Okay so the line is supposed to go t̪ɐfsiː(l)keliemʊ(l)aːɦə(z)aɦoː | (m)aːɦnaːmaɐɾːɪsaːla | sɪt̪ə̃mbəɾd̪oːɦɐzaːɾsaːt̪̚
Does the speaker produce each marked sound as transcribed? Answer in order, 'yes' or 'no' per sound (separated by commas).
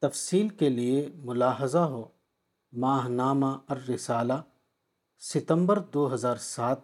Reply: yes, yes, yes, yes